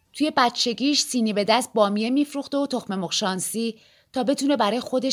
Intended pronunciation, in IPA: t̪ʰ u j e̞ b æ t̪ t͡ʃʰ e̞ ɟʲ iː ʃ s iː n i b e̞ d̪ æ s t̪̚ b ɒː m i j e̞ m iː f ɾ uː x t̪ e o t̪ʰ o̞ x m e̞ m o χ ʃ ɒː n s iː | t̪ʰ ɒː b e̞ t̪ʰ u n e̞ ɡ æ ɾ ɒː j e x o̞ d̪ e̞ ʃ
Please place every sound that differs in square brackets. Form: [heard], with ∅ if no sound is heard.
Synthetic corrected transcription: t̪ʰ u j e̞ b æ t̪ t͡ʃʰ e̞ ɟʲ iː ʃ s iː n i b e̞ d̪ æ s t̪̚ b ɒː m i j e̞ m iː f ɾ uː x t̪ e o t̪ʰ o̞ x m e̞ m o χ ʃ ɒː n s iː | t̪ʰ ɒː b e̞ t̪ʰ u n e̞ [b] æ ɾ ɒː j e x o̞ d̪ e̞ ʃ